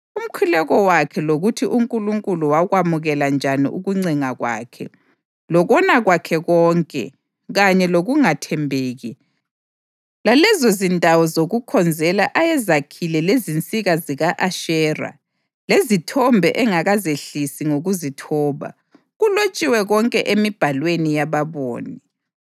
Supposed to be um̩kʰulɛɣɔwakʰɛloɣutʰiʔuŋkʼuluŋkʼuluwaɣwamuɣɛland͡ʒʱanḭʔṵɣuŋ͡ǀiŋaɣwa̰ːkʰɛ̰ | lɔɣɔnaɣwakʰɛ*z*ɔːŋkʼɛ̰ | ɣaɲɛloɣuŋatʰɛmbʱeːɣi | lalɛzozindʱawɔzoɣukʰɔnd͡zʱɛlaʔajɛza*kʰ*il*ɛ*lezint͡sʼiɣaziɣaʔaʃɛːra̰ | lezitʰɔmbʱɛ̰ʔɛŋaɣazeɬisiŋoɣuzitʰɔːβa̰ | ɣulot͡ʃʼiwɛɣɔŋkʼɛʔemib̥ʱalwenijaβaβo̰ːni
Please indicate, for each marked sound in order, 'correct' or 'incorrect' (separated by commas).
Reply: incorrect, correct, correct